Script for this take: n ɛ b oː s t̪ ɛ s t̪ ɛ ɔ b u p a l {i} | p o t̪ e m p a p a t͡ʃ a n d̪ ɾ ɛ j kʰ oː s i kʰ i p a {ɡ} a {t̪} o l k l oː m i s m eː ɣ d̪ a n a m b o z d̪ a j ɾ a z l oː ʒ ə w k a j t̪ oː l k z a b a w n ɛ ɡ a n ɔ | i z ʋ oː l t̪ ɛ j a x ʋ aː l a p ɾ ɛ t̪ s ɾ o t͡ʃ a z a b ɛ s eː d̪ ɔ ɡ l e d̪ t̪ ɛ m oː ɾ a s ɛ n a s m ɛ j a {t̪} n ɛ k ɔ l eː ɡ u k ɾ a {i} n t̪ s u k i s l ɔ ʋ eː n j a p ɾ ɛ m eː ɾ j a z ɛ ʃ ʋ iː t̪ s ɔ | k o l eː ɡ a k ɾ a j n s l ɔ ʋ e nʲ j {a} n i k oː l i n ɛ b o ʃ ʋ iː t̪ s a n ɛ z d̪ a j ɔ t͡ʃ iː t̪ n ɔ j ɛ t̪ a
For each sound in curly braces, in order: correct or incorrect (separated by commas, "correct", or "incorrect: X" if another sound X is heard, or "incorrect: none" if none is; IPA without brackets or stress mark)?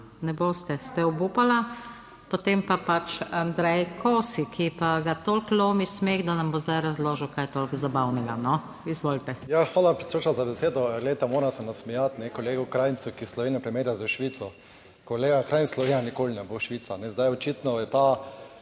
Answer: incorrect: a, correct, correct, correct, incorrect: j, correct